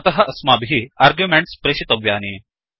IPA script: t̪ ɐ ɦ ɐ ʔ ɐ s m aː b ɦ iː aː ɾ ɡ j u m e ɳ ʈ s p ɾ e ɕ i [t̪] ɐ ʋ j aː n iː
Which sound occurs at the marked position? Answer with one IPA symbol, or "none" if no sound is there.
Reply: t̪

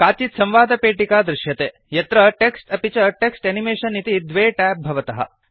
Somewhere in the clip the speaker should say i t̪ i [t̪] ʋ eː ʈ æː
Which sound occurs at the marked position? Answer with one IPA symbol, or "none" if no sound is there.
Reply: d̪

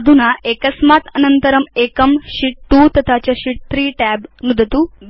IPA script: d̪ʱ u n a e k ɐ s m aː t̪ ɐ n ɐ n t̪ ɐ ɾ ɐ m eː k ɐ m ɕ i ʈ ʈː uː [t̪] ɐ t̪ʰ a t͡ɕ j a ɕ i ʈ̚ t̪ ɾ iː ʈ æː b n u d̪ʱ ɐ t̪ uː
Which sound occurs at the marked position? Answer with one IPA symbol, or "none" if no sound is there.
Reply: t̪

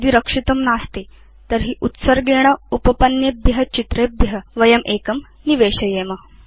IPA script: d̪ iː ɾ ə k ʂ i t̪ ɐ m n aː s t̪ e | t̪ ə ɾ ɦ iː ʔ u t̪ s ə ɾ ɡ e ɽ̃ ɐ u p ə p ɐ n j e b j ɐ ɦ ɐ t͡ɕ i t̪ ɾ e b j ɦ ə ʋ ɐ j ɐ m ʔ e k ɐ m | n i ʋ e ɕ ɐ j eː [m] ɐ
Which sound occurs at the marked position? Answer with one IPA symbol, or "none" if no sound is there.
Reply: m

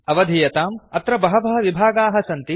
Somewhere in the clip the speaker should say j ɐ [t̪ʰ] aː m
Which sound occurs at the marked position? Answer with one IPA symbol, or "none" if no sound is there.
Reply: t̪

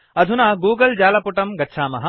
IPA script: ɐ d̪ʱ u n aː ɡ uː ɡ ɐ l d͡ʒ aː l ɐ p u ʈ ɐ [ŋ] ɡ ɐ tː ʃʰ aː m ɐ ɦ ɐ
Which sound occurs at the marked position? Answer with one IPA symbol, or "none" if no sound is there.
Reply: m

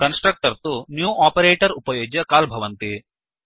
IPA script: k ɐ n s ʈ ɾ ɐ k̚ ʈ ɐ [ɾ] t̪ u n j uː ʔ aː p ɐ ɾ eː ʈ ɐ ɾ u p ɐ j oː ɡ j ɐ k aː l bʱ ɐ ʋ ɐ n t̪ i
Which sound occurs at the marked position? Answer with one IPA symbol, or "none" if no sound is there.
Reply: ɾ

